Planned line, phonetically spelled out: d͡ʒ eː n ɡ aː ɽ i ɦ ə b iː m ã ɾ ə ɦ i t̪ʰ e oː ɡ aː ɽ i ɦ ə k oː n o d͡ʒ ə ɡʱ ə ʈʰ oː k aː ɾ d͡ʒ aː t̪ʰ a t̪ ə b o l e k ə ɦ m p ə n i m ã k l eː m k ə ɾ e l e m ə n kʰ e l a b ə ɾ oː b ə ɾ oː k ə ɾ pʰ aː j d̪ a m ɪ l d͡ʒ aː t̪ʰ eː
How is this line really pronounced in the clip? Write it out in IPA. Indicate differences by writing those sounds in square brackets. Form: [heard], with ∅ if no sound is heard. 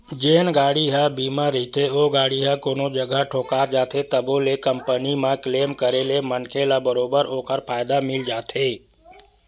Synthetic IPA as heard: d͡ʒ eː n ɡ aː ɽ i ɦ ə b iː m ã ɾ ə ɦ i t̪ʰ e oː ɡ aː ɽ i ɦ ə k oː n o d͡ʒ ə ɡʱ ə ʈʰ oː k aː ɾ d͡ʒ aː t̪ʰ [e] t̪ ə b o l e k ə [∅] m p ə n i m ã k l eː m k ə ɾ e l e m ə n kʰ e l a b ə ɾ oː b ə ɾ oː k ə ɾ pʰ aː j d̪ a m ɪ l d͡ʒ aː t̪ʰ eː